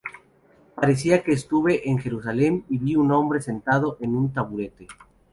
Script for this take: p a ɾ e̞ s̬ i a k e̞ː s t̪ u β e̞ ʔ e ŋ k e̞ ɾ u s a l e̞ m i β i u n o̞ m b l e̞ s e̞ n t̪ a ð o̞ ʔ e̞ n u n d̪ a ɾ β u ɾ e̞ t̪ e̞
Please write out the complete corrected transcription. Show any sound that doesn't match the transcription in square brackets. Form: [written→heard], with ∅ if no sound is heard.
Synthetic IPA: p a ɾ e̞ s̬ i a k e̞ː s t̪ u β e̞ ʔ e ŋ [k→x] e̞ ɾ u s a l e̞ m i β i u n o̞ m b [l→ɾ] e̞ s e̞ n t̪ a ð o̞ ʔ e̞ n u n [d̪→t̪] a [ɾ→∅] β u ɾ e̞ t̪ e̞